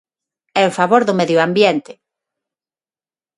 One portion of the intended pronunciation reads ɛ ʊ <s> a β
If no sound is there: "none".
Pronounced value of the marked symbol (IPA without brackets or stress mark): f